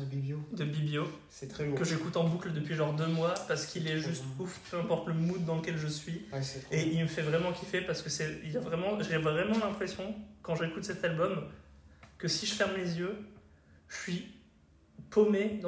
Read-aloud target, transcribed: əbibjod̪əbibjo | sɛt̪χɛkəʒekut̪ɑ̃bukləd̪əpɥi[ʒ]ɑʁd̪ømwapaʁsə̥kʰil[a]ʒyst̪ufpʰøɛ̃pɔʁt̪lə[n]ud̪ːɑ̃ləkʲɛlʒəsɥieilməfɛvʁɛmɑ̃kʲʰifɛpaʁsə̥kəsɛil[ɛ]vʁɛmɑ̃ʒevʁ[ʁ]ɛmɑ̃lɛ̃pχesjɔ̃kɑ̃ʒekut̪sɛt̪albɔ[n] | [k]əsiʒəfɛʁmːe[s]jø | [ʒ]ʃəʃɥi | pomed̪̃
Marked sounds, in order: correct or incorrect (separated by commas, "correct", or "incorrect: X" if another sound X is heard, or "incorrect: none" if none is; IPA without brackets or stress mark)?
correct, incorrect: ɛ, incorrect: m, incorrect: a, correct, incorrect: m, correct, incorrect: z, correct